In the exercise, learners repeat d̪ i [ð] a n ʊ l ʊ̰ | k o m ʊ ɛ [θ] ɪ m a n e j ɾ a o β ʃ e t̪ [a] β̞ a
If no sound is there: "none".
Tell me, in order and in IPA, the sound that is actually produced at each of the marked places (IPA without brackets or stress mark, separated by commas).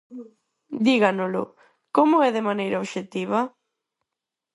ɣ, ð, i